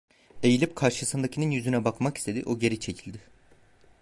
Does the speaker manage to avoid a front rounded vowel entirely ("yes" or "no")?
no